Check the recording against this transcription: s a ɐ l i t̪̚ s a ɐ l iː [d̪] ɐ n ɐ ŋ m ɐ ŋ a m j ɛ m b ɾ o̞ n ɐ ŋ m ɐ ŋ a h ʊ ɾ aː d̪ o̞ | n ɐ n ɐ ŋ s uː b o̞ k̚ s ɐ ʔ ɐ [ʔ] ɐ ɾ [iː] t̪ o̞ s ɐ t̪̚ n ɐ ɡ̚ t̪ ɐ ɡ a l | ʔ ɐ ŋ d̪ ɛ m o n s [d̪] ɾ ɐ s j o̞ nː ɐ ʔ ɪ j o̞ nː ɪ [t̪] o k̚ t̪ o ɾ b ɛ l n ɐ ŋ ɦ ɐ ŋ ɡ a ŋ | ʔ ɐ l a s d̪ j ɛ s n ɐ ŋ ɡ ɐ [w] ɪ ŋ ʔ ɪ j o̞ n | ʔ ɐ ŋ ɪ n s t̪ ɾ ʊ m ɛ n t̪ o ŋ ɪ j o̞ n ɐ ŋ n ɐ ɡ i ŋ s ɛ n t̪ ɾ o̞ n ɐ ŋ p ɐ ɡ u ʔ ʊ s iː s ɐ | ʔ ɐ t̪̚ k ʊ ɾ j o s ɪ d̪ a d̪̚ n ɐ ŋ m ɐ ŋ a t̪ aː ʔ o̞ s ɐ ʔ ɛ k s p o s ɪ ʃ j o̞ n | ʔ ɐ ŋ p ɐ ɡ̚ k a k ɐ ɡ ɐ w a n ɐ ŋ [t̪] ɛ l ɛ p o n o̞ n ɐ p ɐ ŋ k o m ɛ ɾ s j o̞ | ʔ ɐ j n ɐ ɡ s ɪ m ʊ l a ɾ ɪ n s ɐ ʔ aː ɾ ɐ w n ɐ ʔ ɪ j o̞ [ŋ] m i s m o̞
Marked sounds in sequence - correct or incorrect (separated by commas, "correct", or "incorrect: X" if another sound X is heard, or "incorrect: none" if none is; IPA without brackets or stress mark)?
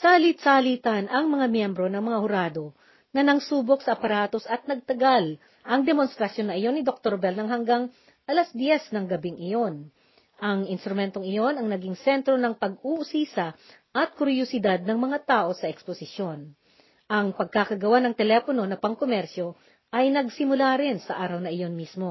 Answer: incorrect: t̪, incorrect: p, incorrect: aː, incorrect: t̪, incorrect: d̪, incorrect: b, correct, incorrect: n